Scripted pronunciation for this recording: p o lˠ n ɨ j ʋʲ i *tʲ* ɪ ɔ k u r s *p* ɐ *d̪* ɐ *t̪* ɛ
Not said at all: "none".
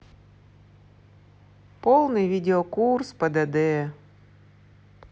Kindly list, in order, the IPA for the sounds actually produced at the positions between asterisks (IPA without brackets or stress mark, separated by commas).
dʲ, p, d̪, d̪